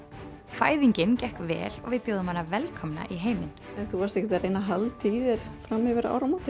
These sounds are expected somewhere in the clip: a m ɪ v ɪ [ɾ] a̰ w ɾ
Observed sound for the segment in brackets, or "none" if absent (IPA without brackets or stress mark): ɾ